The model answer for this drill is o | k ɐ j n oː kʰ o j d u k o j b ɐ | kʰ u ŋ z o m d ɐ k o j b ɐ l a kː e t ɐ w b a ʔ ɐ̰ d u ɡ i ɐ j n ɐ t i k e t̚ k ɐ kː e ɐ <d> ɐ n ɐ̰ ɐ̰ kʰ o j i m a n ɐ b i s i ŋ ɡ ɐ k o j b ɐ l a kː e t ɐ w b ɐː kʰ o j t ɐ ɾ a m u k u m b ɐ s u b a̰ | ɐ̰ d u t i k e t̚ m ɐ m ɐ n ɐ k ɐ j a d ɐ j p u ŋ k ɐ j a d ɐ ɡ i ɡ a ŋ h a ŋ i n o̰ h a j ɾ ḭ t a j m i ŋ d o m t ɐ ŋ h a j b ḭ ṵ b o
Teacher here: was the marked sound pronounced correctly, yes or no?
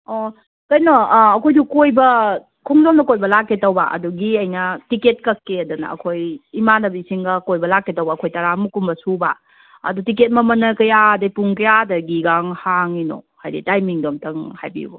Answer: yes